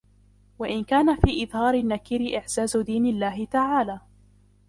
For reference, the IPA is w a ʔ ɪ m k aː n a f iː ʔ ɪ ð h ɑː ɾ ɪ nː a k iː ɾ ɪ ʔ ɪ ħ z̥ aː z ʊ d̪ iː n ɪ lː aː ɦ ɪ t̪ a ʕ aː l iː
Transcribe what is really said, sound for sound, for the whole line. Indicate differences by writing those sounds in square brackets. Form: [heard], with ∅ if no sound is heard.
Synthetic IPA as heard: w a ʔ ɪ [n] k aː n a f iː ʔ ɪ ð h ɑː ɾ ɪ nː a k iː ɾ ɪ ʔ ɪ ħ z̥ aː z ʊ d̪ iː n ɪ lː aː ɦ ɪ t̪ a ʕ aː l [aː]

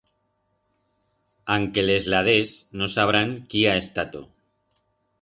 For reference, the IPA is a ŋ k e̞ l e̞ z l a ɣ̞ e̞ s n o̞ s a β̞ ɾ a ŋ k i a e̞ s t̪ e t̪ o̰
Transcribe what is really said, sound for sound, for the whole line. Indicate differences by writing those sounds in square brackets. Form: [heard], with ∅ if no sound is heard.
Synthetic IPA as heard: a ŋ k e̞ l e̞ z l a [ð̞] e̞ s n o̞ s a β̞ ɾ a ŋ k i a e̞ s t̪ [a] t̪ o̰

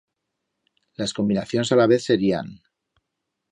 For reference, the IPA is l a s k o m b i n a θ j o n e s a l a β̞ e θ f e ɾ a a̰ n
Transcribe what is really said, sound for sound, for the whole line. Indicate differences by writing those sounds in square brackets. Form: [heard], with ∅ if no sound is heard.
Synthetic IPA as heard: l a s k o m b i n a θ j o n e s a l a β̞ e θ [s] e ɾ [i] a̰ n

